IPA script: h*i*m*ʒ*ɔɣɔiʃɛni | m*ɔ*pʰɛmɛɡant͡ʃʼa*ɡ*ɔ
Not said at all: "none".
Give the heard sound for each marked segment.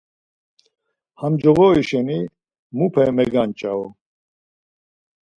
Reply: a, d͡ʒ, u, none

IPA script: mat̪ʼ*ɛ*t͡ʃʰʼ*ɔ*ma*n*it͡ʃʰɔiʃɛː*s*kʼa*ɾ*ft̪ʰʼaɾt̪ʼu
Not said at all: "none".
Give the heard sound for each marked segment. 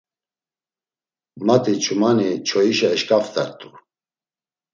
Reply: i, u, n, ʃ, none

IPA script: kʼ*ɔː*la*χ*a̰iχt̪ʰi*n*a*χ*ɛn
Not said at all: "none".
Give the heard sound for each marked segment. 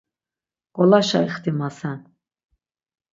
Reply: ɔ, ʃ, m, s

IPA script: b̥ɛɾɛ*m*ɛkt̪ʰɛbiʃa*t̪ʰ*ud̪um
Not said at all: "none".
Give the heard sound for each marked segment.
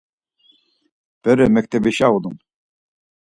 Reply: m, none

